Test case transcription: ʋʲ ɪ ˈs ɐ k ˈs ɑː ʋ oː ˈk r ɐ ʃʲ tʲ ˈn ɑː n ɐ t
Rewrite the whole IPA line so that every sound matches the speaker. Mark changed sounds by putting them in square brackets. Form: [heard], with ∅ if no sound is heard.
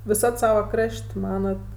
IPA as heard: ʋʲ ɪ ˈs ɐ [t] ˈs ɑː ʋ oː ˈk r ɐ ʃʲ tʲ [ˈm] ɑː n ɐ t

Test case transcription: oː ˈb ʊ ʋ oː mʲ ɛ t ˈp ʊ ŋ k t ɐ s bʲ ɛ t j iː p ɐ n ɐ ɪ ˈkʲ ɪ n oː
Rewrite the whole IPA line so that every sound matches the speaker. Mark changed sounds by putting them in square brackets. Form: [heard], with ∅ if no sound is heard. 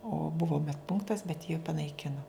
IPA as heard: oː ˈb ʊ ʋ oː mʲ ɛ t ˈp ʊ ŋ k t ɐ s bʲ ɛ t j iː p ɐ n ɐ ɪ ˈkʲ ɪ n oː

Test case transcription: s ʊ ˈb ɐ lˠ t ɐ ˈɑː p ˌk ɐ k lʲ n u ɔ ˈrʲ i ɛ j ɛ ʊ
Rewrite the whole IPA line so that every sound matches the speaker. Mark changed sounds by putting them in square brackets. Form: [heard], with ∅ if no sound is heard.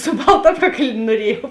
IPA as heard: s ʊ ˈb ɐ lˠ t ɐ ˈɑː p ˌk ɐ k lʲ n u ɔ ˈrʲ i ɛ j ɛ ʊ

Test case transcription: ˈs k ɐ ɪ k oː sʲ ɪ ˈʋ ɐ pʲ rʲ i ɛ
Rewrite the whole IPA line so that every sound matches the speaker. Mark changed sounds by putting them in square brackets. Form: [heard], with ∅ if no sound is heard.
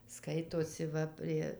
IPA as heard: ˈs k ɐ ɪ [t] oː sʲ ɪ ˈʋ ɐ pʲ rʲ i ɛ

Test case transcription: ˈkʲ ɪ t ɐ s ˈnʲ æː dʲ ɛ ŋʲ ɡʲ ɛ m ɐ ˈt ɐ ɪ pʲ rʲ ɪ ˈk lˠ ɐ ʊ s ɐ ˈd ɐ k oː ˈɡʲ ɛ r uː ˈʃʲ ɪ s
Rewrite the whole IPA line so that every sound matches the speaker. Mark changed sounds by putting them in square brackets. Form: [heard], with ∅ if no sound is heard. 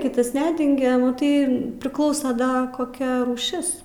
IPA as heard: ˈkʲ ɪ t ɐ s ˈnʲ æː dʲ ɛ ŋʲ ɡʲ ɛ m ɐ ˈt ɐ ɪ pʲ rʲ ɪ ˈk lˠ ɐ ʊ s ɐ ˈd ɐ k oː [ˈkʲ] ɛ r uː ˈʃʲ ɪ s

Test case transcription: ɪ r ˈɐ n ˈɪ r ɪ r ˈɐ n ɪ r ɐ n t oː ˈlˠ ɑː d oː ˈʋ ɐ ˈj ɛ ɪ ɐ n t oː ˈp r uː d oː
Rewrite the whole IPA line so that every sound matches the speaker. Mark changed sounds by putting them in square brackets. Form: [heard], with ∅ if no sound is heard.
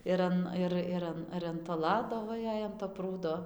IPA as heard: ɪ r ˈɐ n ˈɪ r ɪ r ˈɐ n ɪ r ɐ n t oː ˈlˠ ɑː d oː ˈʋ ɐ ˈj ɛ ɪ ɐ n t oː ˈp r uː d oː

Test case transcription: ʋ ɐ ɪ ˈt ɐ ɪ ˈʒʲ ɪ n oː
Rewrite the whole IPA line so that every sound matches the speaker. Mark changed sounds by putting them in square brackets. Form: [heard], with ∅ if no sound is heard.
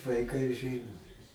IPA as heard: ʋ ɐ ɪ [ˈk] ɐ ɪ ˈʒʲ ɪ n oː

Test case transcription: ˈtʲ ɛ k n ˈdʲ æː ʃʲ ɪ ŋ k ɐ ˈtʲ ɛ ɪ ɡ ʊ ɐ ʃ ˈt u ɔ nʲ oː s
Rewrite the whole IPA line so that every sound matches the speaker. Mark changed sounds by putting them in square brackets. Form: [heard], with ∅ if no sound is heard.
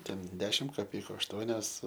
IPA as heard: ˈtʲ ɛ [∅] n ˈdʲ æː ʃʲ ɪ [m] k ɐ [ˈpʲ] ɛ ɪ [k] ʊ ɐ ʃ ˈt u ɔ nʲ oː s

